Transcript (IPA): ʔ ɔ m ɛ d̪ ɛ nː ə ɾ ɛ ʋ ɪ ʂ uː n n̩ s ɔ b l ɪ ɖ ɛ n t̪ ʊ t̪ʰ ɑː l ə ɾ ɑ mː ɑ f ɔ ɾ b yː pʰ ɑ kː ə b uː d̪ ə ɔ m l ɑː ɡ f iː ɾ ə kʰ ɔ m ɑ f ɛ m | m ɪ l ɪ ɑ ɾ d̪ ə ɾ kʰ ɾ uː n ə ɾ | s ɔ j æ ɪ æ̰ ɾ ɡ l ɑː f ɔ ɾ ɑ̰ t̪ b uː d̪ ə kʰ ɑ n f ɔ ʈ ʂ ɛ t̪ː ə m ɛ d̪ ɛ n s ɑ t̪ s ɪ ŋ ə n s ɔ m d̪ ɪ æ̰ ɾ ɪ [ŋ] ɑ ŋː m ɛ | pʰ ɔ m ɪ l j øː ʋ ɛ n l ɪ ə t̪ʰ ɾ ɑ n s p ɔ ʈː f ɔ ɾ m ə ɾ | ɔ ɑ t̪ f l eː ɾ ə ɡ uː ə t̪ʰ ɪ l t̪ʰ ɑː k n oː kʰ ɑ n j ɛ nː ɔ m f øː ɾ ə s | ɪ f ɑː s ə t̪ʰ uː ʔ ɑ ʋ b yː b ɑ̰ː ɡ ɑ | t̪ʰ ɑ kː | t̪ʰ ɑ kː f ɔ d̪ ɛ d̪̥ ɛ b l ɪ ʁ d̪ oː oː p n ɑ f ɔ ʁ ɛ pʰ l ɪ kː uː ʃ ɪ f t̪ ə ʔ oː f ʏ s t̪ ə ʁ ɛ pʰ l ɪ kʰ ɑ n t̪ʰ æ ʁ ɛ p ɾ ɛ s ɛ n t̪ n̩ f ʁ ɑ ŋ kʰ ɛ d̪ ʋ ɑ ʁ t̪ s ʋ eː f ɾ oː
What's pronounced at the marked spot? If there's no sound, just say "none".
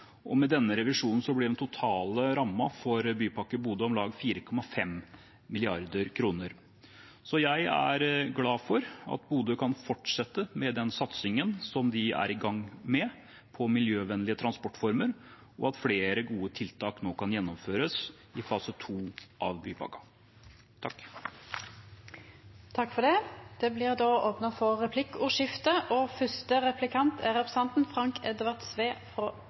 ɡ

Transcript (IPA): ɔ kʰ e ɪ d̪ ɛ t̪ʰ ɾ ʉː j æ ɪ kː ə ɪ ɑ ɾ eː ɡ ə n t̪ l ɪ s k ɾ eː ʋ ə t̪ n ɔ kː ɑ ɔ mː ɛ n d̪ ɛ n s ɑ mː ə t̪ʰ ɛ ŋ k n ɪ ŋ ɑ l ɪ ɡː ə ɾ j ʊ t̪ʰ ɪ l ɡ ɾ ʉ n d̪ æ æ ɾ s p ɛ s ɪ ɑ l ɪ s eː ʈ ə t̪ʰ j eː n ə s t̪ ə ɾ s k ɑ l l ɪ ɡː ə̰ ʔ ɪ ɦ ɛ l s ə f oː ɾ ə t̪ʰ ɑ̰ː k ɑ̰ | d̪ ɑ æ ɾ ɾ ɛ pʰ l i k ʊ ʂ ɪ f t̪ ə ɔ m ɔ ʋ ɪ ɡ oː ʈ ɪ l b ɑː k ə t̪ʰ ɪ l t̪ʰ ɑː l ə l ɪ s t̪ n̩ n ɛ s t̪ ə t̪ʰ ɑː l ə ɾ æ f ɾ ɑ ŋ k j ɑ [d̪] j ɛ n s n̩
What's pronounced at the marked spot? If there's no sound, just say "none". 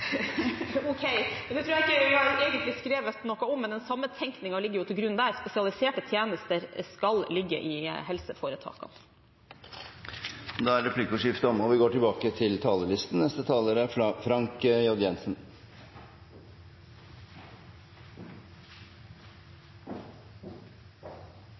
d̪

